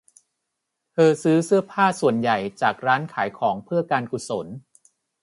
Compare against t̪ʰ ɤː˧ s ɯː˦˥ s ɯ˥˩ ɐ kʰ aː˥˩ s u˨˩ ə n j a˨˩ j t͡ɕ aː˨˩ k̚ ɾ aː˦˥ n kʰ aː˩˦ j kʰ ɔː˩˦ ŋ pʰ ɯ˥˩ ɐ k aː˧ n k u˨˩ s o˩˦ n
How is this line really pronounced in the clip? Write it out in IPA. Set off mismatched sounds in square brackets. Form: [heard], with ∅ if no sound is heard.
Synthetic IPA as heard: t̪ʰ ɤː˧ s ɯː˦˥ s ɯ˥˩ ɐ [pʰ] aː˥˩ s u˨˩ ə n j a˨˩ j t͡ɕ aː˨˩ k̚ ɾ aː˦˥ n kʰ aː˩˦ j kʰ ɔː˩˦ ŋ pʰ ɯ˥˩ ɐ k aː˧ n k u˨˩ s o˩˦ n

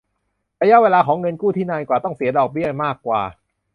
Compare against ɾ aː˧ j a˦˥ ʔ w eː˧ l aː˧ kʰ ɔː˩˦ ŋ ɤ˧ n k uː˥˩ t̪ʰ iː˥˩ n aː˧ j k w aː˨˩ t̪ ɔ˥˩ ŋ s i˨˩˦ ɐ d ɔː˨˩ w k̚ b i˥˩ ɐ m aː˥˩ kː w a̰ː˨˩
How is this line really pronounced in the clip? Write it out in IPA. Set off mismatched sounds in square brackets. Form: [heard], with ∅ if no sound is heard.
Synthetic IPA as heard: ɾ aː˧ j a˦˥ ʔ w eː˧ l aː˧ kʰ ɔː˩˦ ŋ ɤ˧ n k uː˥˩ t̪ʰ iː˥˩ n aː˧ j k w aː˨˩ t̪ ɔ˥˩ ŋ s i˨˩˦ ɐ d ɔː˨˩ [∅] k̚ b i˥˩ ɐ m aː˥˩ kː w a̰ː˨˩

